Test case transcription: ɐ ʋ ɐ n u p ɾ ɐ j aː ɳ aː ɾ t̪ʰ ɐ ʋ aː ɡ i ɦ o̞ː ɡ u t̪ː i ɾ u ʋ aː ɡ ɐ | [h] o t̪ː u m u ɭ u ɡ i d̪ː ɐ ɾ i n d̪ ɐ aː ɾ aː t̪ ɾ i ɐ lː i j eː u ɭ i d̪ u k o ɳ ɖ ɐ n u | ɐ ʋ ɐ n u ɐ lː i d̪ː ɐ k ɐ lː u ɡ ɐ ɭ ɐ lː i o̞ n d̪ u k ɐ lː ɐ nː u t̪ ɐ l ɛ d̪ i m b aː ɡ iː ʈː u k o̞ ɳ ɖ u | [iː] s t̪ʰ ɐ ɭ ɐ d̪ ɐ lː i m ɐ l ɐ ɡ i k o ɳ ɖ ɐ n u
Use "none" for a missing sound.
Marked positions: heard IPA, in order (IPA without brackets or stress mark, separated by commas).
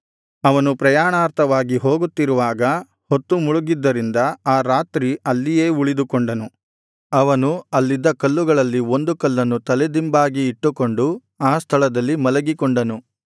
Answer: h, aː